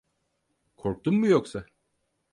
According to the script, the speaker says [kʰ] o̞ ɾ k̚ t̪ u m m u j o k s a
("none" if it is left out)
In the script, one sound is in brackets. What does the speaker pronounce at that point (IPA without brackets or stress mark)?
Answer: kʰ